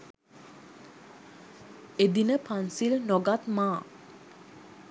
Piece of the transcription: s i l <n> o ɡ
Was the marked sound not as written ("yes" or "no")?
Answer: no